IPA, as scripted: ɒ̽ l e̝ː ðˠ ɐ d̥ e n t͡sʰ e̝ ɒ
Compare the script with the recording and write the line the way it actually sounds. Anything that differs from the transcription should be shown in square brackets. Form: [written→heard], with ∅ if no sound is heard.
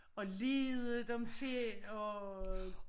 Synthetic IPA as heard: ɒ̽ l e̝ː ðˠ [ɐ→ə] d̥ e [n→m] t͡sʰ e̝ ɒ